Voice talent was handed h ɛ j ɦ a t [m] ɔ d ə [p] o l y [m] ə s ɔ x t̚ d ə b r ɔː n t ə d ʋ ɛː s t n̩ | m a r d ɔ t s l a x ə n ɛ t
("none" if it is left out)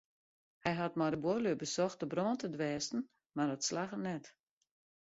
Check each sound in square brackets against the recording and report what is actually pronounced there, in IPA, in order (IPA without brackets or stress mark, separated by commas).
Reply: m, b, b